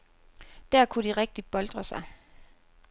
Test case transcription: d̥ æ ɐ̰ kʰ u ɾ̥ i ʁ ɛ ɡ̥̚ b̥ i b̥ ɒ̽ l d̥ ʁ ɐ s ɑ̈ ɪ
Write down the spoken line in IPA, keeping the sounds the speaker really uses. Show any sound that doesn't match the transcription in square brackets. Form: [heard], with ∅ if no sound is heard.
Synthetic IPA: d̥ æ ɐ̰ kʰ u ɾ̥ i ʁ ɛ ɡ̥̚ [d̥] i b̥ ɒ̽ l d̥ ʁ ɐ s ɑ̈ ɪ